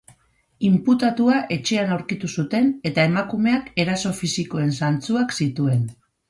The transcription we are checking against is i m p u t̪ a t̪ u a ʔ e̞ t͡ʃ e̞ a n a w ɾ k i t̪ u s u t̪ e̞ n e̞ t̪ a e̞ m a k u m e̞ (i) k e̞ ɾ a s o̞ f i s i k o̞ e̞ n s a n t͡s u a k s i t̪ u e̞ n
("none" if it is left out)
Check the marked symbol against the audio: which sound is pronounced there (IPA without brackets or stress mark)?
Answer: a